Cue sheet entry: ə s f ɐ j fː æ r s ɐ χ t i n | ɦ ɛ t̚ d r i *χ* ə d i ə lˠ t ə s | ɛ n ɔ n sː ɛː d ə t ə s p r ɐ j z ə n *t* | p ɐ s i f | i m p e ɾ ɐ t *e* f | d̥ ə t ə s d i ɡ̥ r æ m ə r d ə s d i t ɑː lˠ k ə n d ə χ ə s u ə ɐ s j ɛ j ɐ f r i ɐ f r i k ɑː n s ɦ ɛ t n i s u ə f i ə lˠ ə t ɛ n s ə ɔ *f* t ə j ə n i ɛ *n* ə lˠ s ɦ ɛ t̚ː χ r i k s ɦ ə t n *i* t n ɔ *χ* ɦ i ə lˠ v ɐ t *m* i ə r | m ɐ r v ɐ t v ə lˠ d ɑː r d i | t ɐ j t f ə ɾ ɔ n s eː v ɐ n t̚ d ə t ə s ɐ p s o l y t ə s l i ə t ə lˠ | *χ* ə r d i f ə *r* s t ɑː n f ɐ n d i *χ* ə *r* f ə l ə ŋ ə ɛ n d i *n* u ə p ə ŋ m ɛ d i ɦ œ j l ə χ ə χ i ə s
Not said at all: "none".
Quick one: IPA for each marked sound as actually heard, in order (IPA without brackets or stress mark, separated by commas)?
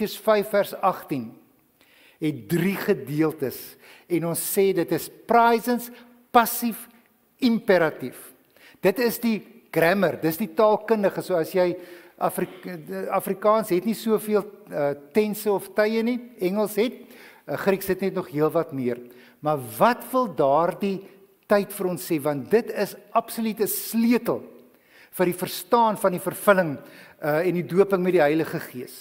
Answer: χ, s, i, f, ŋ, ɛ, χ, m, f, r, f, r, d